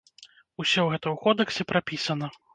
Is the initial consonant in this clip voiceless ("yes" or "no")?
yes